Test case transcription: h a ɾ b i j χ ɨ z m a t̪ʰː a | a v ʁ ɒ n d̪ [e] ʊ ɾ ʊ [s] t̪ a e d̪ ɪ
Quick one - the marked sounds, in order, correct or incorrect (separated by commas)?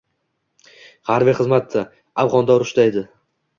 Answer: incorrect, incorrect